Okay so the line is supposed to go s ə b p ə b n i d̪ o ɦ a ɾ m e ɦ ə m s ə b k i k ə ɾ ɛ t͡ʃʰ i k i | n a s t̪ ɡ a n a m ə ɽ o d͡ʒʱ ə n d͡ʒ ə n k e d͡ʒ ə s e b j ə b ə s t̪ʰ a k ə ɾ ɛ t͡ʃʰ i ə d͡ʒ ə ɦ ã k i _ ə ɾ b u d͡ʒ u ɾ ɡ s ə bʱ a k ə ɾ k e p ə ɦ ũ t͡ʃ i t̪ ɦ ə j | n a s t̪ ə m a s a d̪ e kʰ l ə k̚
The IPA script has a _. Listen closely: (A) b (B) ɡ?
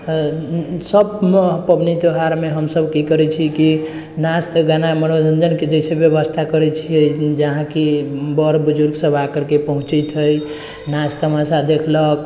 A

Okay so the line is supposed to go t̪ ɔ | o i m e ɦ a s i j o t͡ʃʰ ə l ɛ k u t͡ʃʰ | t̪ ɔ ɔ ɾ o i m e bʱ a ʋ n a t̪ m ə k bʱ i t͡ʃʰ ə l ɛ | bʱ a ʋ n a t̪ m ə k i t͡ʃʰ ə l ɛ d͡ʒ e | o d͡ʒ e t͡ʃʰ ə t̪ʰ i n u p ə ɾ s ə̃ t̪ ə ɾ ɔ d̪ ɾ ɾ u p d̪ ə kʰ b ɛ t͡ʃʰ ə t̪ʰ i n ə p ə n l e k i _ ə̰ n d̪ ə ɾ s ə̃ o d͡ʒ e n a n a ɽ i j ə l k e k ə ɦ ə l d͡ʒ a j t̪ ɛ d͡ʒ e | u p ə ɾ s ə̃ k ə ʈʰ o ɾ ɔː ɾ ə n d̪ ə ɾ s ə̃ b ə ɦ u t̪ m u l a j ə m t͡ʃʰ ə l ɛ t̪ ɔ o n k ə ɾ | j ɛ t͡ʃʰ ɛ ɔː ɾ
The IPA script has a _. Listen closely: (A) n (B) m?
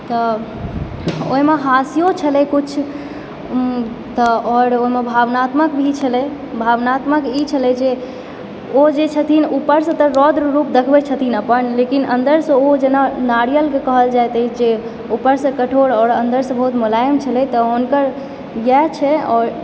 A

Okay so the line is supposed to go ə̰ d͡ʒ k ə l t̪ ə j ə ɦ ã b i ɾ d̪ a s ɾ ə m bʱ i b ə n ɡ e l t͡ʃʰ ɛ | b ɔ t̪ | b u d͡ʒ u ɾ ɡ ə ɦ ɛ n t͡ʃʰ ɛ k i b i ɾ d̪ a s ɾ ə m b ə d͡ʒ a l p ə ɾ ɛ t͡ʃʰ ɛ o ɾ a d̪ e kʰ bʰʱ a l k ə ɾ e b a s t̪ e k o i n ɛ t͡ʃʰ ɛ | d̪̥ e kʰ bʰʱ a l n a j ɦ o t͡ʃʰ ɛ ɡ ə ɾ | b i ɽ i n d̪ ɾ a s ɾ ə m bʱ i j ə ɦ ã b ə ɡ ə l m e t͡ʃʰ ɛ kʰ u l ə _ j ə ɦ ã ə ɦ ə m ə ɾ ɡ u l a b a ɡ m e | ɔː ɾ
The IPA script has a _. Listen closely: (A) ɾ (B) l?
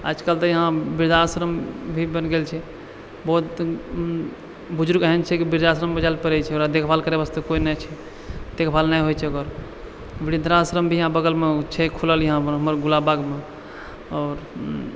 B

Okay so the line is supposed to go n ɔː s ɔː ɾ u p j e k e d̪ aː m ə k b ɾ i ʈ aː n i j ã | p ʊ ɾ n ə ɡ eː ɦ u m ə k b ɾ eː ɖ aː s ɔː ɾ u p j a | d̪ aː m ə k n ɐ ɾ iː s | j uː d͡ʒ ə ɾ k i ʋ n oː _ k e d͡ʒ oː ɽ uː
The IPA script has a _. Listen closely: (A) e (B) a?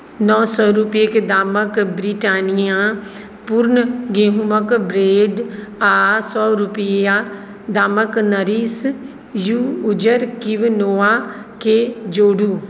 B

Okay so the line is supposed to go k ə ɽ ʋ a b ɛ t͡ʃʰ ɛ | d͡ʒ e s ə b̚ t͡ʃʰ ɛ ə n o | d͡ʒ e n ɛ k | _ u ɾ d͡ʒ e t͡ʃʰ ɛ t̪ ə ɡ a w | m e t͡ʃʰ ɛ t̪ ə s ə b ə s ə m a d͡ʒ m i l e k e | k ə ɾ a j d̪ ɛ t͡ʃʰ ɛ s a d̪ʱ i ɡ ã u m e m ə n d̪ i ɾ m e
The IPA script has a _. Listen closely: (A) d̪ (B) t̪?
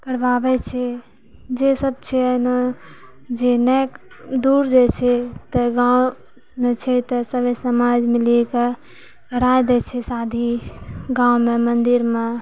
A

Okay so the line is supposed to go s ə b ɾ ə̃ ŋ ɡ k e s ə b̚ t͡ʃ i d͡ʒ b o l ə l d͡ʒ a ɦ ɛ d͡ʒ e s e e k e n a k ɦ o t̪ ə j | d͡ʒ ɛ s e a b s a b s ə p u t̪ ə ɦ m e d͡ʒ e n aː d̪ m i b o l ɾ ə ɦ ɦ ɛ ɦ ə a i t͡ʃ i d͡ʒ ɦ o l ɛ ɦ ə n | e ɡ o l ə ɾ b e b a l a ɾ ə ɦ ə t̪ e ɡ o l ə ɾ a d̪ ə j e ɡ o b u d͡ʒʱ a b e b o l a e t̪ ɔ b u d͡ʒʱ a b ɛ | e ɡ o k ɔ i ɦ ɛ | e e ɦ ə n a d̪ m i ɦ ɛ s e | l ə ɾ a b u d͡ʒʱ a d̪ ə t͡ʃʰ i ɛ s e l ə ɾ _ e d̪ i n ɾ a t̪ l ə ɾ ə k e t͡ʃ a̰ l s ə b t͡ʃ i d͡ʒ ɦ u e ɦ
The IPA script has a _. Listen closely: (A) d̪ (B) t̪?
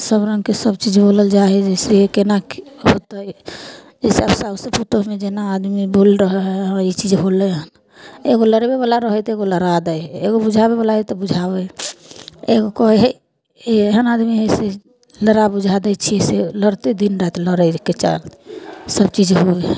B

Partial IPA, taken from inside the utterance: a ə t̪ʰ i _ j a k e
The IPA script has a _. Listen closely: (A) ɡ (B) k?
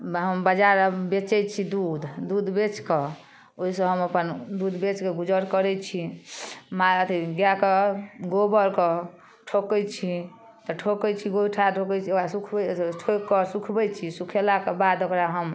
A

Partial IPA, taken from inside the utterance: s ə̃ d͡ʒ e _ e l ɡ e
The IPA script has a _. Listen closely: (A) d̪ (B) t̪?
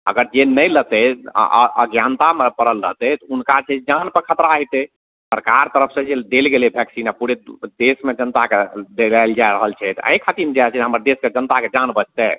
A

